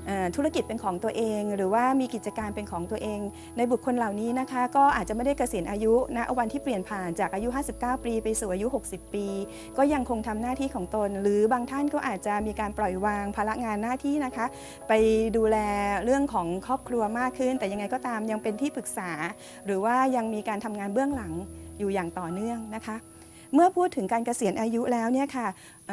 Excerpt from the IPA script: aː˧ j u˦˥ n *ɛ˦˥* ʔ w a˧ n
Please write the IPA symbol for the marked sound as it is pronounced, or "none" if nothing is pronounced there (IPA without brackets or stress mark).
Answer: a˦˥